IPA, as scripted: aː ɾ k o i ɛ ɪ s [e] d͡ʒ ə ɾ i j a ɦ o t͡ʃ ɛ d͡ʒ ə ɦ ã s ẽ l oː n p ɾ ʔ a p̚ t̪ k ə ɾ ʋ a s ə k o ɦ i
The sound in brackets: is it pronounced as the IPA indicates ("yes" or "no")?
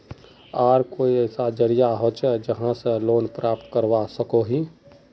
no